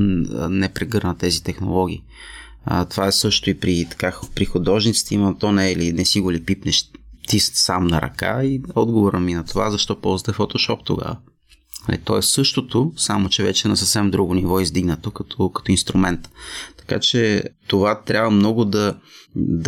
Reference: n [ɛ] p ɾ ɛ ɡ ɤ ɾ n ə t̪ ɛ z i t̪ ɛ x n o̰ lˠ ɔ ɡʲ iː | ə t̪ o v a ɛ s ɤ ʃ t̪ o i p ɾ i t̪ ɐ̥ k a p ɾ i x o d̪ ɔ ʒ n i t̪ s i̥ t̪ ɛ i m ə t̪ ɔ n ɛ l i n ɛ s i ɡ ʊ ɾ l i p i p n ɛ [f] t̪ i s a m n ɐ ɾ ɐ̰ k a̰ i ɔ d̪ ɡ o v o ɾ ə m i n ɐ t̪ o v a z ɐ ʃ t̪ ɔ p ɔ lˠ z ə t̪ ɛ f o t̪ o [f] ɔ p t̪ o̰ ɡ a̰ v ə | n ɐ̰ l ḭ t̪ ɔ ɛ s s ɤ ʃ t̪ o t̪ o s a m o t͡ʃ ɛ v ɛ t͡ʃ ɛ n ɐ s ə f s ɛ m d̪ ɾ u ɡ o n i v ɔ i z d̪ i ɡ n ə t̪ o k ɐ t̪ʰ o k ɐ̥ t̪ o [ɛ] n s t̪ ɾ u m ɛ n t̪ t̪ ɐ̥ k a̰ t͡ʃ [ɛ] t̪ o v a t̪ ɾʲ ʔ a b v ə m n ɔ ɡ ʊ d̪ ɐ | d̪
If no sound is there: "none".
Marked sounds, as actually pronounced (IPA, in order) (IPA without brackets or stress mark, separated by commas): ɛ, ʃ, ʃ, i, ɛ